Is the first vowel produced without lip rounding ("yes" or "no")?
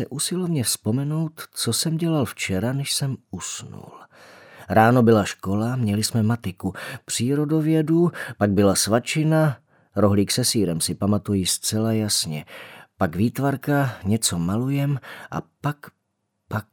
yes